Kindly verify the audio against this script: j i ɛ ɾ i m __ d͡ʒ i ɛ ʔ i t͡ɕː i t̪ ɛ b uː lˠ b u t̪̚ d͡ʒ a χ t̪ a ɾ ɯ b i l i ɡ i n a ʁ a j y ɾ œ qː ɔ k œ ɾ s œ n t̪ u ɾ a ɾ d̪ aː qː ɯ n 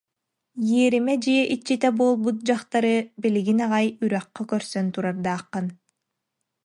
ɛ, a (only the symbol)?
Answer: ɛ